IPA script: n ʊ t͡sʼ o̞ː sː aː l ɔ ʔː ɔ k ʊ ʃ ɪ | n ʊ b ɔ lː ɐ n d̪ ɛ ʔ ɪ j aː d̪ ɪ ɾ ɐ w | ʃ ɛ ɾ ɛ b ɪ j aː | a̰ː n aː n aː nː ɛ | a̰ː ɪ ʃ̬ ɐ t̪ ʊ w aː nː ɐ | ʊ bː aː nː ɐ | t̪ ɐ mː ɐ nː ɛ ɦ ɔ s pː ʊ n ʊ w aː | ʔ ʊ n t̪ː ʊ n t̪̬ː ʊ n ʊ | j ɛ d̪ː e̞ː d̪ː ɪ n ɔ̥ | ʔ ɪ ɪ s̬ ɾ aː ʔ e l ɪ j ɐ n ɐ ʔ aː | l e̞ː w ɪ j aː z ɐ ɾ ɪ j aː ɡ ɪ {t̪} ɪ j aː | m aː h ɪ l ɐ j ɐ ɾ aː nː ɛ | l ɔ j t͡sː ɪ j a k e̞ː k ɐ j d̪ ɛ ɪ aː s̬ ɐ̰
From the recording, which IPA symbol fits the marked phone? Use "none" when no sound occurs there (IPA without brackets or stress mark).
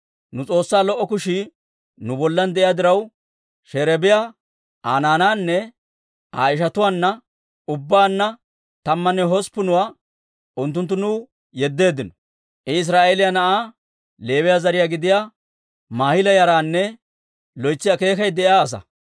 d̪